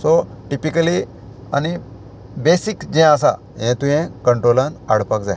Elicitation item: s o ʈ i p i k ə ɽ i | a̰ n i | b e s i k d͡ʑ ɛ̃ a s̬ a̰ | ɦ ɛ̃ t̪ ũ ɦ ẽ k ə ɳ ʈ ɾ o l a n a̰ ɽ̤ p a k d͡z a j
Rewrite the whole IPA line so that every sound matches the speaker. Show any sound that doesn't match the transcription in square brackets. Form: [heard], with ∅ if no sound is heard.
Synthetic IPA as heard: s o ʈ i p i k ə [l] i | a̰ n i | b e s i k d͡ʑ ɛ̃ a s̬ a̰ | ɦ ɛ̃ t̪ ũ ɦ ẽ k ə ɳ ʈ ɾ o l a n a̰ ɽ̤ p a k d͡z a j